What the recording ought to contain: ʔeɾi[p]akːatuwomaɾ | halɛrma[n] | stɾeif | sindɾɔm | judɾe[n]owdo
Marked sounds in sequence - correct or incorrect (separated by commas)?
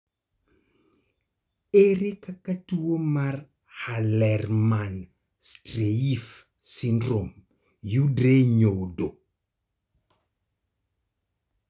incorrect, correct, incorrect